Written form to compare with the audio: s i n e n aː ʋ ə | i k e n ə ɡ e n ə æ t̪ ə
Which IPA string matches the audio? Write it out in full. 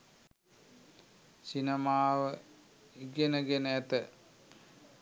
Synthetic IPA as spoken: s i n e m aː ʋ ə | i ɡ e n ə ɡ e n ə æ t̪ ə